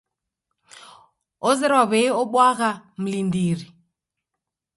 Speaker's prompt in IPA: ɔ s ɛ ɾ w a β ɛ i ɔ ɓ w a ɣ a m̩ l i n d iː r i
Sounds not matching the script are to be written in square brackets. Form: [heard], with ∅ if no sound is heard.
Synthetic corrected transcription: ɔ [z] ɛ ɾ w a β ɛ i ɔ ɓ w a ɣ a m̩ l i n d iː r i